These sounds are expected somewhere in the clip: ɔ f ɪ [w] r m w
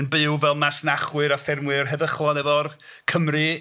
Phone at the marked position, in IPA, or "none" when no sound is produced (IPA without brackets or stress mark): none